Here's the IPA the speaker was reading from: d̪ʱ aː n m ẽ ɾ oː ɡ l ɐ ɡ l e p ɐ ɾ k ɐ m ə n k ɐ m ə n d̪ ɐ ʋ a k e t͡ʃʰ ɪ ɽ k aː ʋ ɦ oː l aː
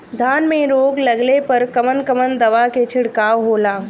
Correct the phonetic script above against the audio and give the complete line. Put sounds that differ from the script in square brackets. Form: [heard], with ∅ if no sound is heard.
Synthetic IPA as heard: d̪ʱ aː n m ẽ ɾ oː ɡ l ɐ ɡ l e p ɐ ɾ k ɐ m ə n k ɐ m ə n d̪ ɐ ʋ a k e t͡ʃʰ ɪ ɽ k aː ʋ ɦ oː l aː

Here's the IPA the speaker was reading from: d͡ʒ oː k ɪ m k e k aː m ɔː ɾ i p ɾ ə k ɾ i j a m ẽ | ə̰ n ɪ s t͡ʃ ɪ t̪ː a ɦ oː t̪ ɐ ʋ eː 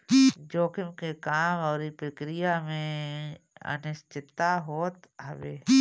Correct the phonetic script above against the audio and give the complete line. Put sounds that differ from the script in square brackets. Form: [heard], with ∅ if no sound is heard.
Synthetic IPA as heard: d͡ʒ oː k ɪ m k e k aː m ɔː ɾ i p ɾ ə k ɾ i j a m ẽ | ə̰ n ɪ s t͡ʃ ɪ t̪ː a ɦ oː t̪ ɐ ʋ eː

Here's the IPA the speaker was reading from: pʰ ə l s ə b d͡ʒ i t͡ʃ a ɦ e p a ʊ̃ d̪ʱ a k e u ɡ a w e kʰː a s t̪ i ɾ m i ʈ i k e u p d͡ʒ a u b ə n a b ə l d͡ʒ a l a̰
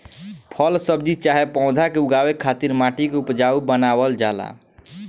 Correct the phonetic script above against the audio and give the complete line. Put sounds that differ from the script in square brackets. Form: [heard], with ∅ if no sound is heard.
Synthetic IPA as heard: pʰ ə l s ə b d͡ʒ i t͡ʃ a ɦ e p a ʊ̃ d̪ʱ a k e u ɡ a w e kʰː a [∅] t̪ i ɾ m [a] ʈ i k e u p d͡ʒ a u b ə n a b ə l d͡ʒ a l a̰

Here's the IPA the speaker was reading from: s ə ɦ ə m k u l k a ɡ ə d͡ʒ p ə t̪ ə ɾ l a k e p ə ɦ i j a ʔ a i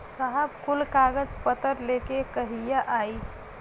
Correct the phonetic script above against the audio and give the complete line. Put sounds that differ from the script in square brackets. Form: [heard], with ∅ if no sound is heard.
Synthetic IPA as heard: s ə ɦ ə [b] k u l k a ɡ ə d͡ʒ p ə t̪ ə ɾ l [e] k e [k] ə ɦ i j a ʔ a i

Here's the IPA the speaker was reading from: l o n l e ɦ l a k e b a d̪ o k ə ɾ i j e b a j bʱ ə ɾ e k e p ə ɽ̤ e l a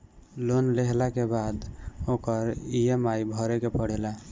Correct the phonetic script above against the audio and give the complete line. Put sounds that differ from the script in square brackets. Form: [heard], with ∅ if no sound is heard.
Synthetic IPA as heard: l o n l e ɦ l a k e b a d̪ o k ə ɾ i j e [m] a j bʱ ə ɾ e k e p ə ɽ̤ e l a

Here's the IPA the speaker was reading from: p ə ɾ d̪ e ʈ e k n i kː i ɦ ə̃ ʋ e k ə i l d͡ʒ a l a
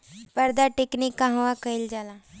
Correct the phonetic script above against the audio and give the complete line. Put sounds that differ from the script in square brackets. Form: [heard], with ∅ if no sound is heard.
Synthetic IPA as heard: p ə ɾ d̪ [a] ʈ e k n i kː [a] ɦ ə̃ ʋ [a] k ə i l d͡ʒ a l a

